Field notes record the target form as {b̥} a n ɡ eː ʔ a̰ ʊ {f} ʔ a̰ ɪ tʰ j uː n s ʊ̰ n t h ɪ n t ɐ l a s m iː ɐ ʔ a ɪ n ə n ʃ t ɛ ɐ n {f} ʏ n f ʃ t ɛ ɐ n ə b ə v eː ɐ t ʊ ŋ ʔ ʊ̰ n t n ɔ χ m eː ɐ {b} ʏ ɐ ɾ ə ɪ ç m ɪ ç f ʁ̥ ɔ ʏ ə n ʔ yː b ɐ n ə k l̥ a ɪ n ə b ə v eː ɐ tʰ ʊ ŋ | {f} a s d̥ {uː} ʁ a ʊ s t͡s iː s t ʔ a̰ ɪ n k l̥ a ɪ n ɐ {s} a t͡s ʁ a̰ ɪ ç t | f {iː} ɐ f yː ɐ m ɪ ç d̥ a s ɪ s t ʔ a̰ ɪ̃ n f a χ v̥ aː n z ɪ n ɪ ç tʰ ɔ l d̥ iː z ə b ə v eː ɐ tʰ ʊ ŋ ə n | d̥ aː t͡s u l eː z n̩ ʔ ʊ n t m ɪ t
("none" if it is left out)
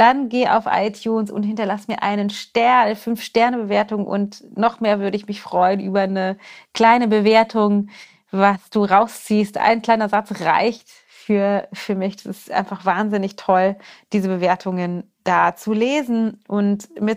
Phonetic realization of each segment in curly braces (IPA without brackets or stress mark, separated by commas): d̥, f, f, v, v, uː, z, yː